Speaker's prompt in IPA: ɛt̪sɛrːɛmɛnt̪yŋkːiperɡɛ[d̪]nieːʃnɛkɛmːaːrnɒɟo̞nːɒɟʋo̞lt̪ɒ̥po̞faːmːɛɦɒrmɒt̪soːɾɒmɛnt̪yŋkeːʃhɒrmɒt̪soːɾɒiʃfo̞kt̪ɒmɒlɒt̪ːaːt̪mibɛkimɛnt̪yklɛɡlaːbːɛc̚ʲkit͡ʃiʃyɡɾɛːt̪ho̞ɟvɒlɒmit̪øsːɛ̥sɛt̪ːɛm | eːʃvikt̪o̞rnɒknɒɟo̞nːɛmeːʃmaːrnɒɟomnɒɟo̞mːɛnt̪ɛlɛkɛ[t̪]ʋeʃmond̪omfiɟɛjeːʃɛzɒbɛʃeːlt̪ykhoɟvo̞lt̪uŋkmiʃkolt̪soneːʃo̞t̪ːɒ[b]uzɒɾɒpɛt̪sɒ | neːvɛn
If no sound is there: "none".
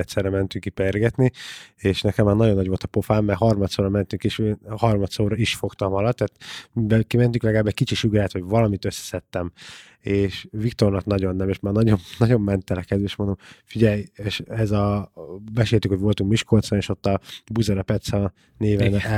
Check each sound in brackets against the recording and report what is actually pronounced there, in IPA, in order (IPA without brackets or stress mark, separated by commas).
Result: t̪, d̪, b